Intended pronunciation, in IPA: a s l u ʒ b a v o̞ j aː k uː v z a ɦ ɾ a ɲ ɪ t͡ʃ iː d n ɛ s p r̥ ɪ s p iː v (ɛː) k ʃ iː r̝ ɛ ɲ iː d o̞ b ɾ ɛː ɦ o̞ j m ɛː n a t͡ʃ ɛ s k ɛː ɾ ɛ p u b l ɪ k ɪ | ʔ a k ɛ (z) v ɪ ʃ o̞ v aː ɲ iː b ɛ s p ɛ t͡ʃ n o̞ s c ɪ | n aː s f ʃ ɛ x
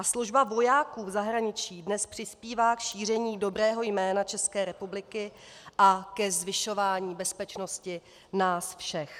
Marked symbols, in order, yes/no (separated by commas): no, yes